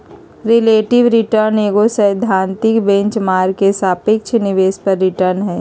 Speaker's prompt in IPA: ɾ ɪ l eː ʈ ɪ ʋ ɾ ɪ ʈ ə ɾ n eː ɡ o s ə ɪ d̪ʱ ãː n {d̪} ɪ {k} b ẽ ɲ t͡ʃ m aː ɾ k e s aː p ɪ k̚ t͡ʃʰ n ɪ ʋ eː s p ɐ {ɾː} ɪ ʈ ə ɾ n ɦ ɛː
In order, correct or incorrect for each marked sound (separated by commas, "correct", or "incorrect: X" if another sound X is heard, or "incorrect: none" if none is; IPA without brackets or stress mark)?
incorrect: t̪, correct, correct